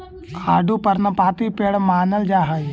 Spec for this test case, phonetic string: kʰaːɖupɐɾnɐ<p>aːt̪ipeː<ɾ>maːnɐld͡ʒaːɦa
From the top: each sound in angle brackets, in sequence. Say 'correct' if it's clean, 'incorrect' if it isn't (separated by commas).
correct, incorrect